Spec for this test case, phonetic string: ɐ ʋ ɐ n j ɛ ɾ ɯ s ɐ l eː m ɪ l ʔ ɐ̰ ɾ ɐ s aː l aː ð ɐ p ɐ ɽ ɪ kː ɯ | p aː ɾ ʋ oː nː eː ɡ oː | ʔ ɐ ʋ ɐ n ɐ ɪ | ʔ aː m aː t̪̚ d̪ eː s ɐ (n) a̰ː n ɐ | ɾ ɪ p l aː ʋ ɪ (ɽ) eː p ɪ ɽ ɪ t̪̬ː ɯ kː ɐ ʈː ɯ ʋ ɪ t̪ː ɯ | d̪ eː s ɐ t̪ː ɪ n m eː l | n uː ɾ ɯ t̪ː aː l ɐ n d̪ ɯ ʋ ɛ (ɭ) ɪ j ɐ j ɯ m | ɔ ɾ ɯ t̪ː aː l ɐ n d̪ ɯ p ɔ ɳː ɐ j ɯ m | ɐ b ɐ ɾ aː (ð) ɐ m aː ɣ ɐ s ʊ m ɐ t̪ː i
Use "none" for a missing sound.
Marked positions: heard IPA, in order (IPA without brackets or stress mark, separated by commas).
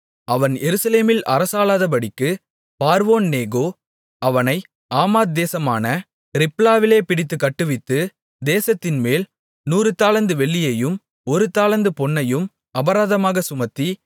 m, l, ɭː, ð